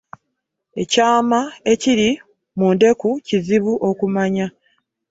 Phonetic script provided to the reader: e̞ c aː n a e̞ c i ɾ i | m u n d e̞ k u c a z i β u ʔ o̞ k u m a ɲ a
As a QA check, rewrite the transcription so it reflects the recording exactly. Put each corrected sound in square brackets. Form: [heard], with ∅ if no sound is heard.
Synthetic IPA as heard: e̞ c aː [m] a e̞ c i ɾ i | m u n d e̞ k u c [i] z i β u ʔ o̞ k u m a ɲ a